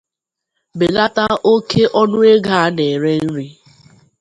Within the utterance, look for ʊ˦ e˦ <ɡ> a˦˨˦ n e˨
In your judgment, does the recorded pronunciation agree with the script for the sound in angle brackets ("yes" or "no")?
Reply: yes